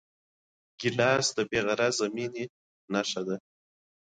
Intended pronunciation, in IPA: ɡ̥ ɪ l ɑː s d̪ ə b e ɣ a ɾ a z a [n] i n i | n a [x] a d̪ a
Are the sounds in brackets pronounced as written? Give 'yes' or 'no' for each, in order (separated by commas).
no, no